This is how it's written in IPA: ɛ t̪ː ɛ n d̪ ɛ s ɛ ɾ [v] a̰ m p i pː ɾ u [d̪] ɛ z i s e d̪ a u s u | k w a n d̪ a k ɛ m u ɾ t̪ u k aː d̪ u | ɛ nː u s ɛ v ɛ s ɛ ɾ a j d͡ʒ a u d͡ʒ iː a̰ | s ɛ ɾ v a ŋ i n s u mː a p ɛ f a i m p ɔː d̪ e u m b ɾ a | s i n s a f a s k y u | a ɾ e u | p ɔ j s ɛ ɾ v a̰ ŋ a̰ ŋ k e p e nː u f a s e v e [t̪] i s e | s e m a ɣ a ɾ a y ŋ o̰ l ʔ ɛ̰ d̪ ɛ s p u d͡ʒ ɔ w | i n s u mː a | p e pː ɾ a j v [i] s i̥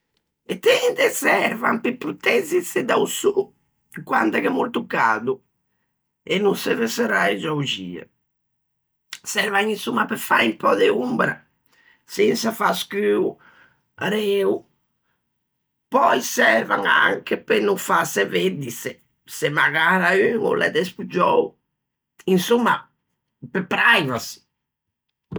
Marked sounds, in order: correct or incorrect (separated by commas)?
correct, incorrect, incorrect, incorrect